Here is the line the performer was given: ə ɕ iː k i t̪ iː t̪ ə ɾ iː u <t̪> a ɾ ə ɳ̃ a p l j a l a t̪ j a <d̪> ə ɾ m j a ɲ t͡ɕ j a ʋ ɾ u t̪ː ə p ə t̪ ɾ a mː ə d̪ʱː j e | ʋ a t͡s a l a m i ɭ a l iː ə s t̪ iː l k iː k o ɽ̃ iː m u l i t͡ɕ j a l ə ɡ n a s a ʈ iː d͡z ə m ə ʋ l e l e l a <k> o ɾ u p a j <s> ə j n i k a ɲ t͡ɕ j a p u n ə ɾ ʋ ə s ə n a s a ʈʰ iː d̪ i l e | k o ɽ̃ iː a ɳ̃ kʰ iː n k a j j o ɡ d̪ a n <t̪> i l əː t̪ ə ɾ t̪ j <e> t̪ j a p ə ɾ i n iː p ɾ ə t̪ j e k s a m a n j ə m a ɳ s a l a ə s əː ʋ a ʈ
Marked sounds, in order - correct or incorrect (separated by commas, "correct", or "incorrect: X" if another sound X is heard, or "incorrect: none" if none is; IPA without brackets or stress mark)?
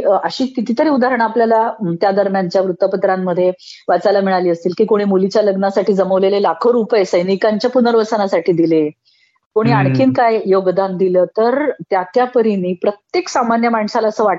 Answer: incorrect: d̪, correct, incorrect: kʰ, correct, incorrect: d̪, incorrect: a